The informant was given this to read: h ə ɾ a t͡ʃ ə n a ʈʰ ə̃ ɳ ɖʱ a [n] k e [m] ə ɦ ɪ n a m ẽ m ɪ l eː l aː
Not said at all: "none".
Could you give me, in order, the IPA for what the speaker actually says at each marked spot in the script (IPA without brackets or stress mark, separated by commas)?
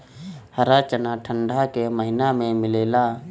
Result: none, m